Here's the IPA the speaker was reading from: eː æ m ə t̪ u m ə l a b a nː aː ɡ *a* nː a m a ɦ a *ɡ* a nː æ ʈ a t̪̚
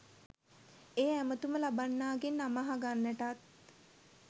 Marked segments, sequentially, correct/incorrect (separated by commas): incorrect, correct